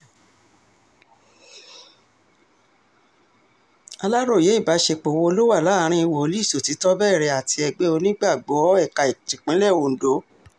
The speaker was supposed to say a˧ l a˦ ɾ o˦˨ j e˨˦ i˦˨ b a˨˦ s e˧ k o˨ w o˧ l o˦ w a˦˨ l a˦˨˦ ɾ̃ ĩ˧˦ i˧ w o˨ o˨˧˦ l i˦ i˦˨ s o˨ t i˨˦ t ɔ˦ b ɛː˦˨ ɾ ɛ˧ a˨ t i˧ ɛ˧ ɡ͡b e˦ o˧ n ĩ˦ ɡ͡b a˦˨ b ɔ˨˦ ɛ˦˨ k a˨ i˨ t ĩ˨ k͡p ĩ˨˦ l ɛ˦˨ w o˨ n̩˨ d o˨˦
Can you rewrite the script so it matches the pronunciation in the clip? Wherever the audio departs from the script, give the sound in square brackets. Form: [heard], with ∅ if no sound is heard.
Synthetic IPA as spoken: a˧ l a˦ ɾ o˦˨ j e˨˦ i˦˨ b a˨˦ [ʃ] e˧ [k͡p] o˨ w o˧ l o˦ w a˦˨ l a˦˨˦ ɾ̃ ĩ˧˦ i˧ w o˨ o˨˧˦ l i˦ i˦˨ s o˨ t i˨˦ t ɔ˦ b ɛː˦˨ ɾ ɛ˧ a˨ t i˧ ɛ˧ ɡ͡b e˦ o˧ n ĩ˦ ɡ͡b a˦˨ [ɡ͡b] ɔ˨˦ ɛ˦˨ k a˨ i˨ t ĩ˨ k͡p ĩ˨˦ l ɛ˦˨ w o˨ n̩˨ d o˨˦